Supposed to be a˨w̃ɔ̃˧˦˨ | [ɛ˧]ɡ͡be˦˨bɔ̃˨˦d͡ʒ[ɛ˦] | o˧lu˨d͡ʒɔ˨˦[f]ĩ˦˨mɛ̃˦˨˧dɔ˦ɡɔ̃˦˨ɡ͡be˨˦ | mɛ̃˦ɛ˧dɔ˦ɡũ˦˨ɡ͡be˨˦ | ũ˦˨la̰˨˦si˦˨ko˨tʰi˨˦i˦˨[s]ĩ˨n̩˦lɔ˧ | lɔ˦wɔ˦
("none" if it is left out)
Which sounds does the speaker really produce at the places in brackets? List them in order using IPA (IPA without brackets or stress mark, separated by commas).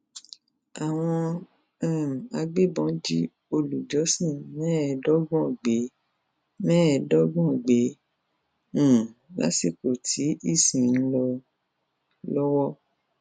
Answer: a˧, i˦, s, s